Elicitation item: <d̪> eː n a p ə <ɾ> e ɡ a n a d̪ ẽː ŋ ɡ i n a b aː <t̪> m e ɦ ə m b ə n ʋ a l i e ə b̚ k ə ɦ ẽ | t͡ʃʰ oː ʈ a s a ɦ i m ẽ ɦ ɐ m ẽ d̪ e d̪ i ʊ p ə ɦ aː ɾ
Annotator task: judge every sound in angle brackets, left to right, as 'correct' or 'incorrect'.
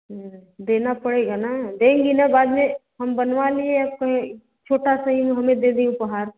correct, incorrect: ɽ, incorrect: d̪

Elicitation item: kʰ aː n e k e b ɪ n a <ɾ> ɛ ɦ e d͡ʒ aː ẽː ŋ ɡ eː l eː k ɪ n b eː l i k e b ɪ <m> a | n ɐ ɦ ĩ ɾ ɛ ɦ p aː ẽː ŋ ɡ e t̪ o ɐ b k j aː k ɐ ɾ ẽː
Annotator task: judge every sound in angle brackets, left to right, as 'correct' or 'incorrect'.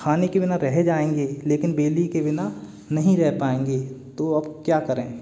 correct, incorrect: n

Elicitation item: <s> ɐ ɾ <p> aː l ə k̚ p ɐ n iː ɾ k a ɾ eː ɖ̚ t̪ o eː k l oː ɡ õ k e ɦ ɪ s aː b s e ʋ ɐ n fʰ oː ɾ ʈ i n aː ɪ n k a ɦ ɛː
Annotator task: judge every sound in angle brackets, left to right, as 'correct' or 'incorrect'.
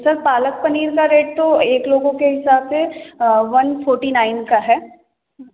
correct, correct

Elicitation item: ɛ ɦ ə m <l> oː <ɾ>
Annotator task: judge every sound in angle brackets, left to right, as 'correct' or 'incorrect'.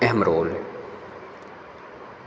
incorrect: ɾ, incorrect: l

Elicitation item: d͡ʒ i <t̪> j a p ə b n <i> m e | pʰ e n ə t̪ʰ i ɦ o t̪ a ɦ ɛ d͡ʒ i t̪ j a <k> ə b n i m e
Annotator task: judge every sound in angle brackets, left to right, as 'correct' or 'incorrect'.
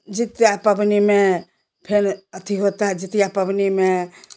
correct, correct, incorrect: p

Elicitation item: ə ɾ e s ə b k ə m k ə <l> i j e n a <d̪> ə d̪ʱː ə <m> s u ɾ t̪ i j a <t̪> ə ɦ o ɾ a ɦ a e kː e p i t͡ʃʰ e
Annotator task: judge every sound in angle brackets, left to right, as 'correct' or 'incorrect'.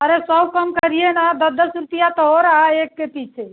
incorrect: ɾ, correct, incorrect: none, correct

